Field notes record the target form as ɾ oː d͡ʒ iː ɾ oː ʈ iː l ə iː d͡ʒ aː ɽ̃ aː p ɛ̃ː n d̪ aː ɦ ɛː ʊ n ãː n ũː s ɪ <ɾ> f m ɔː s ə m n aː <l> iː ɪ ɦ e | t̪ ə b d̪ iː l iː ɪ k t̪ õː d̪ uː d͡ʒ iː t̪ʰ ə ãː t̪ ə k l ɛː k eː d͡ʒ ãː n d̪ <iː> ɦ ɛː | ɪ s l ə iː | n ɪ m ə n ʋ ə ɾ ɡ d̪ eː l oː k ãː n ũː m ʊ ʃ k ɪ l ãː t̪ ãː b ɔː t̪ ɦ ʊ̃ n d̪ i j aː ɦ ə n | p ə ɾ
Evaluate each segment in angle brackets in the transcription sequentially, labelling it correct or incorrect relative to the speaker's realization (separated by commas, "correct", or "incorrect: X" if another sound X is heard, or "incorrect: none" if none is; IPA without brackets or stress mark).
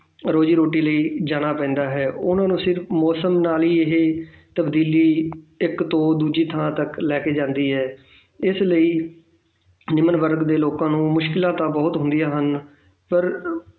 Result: correct, correct, correct